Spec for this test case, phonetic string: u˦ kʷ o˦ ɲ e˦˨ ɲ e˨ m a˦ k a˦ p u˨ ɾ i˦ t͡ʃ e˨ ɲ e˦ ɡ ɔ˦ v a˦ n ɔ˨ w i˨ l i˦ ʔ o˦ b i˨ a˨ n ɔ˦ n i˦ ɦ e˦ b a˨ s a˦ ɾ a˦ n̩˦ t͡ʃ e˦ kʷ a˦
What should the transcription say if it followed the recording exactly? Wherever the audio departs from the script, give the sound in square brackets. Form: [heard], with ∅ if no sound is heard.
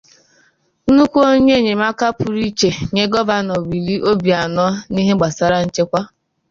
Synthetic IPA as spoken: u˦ kʷ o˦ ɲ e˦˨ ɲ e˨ m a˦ k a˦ p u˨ ɾ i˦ t͡ʃ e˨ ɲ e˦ ɡ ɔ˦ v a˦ n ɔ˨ w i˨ l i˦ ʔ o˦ b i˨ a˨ n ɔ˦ n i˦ ɦ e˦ [ɡ͡b] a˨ s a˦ ɾ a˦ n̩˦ t͡ʃ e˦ kʷ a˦